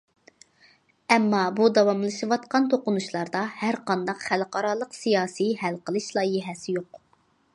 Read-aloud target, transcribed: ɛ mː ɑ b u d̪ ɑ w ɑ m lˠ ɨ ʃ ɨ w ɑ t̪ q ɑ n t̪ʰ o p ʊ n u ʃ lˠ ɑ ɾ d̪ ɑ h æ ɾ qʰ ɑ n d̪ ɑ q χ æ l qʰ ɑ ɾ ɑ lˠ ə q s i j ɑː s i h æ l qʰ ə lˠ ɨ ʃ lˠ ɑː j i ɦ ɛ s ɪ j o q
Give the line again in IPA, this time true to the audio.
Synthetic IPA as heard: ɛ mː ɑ b u d̪ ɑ w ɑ m lˠ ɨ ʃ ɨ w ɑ t̪ q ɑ n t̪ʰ o q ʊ n u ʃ lˠ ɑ ɾ d̪ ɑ h æ ɾ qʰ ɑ n d̪ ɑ q χ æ l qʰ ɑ ɾ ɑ lˠ ə q s i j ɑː s i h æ l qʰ ə lˠ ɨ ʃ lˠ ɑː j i ɦ ɛ s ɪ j o q